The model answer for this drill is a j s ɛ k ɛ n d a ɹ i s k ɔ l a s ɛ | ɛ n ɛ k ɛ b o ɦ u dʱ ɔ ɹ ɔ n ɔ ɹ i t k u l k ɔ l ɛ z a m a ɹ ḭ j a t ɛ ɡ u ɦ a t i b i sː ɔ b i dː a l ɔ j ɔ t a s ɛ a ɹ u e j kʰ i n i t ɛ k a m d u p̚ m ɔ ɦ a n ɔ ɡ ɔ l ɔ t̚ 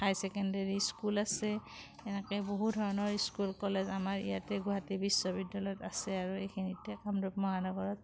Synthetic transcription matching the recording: a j s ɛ k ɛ n d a ɹ i s k u l a s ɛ | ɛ n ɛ k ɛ b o ɦ u dʱ ɔ ɹ ɔ n ɔ ɹ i s k u l k ɔ l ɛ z a m a ɹ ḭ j a t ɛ ɡ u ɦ a t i b i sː ɔ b i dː a l ɔ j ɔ t a s ɛ a ɹ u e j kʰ i n i t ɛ k a m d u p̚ m ɔ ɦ a n ɔ ɡ ɔ ɹ ɔ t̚

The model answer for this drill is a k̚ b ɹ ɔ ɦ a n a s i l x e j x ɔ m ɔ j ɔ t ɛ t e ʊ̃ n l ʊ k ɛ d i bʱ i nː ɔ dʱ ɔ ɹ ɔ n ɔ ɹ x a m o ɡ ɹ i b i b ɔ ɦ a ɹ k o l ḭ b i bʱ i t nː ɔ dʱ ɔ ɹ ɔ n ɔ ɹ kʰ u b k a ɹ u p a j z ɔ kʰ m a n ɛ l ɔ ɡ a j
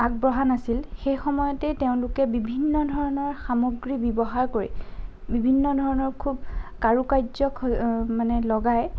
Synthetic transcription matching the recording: a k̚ b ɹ ɔ ɦ a n a s i l x e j x ɔ m ɔ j ɔ t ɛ t e ʊ̃ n l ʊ k ɛ b i bʱ i nː ɔ dʱ ɔ ɹ ɔ n ɔ ɹ x a m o ɡ ɹ i b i b ɔ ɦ a ɹ k o ɹ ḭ b i bʱ i nː ɔ dʱ ɔ ɹ ɔ n ɔ ɹ kʰ u b k a ɹ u k a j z ɔ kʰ m a n ɛ l ɔ ɡ a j

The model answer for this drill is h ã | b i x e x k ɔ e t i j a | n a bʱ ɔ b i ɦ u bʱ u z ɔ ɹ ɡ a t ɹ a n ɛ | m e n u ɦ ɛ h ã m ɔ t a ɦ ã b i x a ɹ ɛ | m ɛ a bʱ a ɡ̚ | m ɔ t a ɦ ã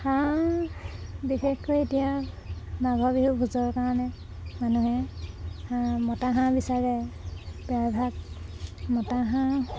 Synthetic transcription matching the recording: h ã | b i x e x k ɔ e t i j a | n a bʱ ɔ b i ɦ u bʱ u z ɔ ɹ k a ɹ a n ɛ | m a n u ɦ ɛ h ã m ɔ t a ɦ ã b i s a ɹ ɛ | b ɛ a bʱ a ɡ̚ | m ɔ t a ɦ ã

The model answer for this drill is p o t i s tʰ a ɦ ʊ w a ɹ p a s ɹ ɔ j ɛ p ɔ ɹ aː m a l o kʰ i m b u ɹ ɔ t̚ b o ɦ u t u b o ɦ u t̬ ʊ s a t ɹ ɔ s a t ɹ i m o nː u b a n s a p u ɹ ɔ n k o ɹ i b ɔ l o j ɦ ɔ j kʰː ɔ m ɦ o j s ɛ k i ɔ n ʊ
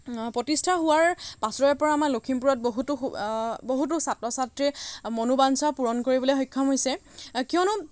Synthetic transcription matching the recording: p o t i s tʰ a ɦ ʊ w a ɹ p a s ɹ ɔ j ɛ p ɔ ɹ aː m a l o kʰ i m p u ɹ ɔ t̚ b o ɦ u t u b o ɦ u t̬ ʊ s a t ɹ ɔ s a t ɹ i m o n u b a n s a p u ɹ ɔ n k o ɹ i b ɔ l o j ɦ ɔ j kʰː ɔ m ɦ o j s ɛ k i ɔ n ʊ

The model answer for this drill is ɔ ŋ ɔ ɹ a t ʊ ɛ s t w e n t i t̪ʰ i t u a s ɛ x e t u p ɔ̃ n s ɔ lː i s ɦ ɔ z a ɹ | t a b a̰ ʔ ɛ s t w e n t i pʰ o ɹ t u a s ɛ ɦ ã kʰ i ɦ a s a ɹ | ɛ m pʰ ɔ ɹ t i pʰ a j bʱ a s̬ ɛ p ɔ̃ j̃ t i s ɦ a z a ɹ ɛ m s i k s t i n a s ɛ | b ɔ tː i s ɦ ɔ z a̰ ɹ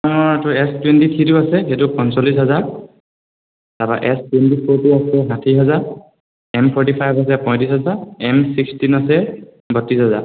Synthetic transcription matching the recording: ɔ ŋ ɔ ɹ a t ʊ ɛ s t w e n t i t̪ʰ i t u a s ɛ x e t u p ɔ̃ n s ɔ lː i s ɦ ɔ z a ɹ | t a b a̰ ʔ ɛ s t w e n t i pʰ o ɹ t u a s ɛ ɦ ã tʰ i ɦ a z a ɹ | ɛ m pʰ ɔ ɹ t i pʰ a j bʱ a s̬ ɛ p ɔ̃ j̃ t i s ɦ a z a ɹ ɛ m s i k s t i n a s ɛ | b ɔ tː i s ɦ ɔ z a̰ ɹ

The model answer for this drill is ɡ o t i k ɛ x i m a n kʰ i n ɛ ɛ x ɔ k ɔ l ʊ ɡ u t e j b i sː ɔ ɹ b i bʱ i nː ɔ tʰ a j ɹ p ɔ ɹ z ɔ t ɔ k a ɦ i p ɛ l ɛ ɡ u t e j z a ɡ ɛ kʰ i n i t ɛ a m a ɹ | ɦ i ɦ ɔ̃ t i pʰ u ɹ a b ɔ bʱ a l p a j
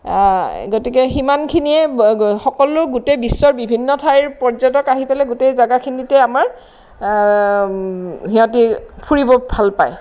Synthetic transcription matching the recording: ɡ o t i k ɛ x i m a n kʰ i n i ɛ x ɔ k ɔ l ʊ ɡ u t e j b i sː ɔ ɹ b i bʱ i nː ɔ tʰ a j ɹ p ɔ ɹ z ɔ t ɔ k a ɦ i p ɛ l ɛ ɡ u t e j z a ɡ a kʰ i n i t ɛ a m a ɹ | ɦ i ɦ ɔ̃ t i pʰ u ɹ i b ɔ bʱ a l p a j

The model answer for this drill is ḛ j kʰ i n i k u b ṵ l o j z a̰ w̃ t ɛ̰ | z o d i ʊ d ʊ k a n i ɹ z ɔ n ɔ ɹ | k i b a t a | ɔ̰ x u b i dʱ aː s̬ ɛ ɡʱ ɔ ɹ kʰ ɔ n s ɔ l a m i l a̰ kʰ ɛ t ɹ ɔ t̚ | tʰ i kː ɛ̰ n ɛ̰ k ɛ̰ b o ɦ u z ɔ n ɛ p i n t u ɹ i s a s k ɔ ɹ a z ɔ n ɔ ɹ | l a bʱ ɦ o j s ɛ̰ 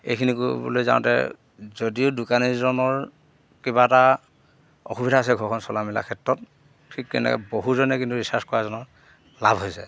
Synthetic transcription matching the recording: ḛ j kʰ i n i k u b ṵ l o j z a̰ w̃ t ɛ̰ | z o d i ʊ d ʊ k a n i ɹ z ɔ n ɔ ɹ | k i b a t a | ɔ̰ x u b i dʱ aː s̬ ɛ ɡʱ ɔ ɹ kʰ ɔ n s ɔ l a m i l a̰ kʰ ɛ t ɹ ɔ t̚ | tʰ i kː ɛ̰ n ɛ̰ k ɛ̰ b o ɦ u z ɔ n ɛ k i n t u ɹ i s a s k ɔ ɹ a z ɔ n ɔ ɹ | l a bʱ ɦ o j s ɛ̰

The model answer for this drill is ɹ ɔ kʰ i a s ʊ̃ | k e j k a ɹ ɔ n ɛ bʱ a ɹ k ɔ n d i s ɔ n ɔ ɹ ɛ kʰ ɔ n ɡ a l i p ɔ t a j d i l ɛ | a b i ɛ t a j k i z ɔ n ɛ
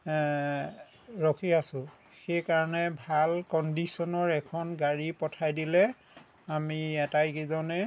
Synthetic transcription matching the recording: ɹ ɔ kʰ i a s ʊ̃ | x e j k a ɹ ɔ n ɛ bʱ a l k ɔ n d i s ɔ n ɔ ɹ ɛ kʰ ɔ n ɡ a ɹ i p ɔ tʰ a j d i l ɛ | a m i ɛ t a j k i z ɔ n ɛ

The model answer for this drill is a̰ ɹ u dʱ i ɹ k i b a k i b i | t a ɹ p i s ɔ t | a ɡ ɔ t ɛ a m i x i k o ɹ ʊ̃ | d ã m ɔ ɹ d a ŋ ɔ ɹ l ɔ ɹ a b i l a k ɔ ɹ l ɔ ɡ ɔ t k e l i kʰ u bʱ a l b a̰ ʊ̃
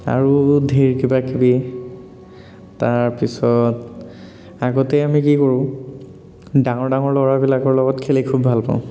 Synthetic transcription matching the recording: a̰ ɹ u dʱ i ɹ k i b a k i b i | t a ɹ p i s ɔ t | a ɡ ɔ t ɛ a m i k i k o ɹ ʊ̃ | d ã ŋ ɔ ɹ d a ŋ ɔ ɹ l ɔ ɹ a b i l a k ɔ ɹ l ɔ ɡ ɔ t kʰ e l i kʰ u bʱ a l p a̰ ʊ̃

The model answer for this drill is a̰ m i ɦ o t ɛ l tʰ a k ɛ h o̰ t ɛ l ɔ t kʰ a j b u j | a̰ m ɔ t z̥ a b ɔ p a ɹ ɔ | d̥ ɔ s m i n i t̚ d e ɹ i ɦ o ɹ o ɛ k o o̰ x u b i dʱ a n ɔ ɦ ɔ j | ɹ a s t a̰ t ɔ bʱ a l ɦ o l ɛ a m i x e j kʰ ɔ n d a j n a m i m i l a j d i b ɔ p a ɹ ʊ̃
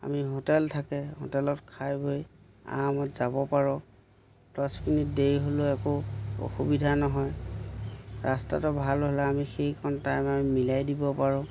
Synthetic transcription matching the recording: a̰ m i ɦ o t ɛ l tʰ a k ɛ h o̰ t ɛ l ɔ t kʰ a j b o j | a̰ m ɔ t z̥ a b ɔ p a ɹ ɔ | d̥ ɔ s m i n i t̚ d e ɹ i ɦ o l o ɛ k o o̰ x u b i dʱ a n ɔ ɦ ɔ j | ɹ a s t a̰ t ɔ bʱ a l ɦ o l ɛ a m i x e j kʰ ɔ n t a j m a m i m i l a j d i b ɔ p a ɹ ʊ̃

